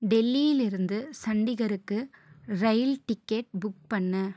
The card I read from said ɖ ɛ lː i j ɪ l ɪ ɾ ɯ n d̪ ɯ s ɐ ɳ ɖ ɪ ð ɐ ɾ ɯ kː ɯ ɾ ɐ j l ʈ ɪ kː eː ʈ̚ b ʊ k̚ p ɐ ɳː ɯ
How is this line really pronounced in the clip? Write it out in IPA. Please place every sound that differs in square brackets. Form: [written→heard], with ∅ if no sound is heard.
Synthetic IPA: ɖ ɛ lː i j ɪ l ɪ ɾ ɯ n d̪ ɯ s ɐ ɳ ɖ ɪ [ð→ɣ] ɐ ɾ ɯ kː ɯ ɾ ɐ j l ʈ ɪ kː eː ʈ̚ b ʊ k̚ p ɐ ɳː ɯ